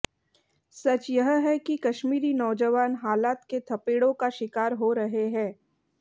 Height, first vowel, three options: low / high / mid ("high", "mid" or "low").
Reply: low